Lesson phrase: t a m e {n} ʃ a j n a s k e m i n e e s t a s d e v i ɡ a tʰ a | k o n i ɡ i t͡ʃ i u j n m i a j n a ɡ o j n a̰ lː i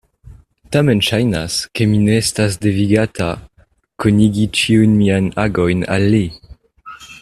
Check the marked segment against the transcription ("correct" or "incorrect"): correct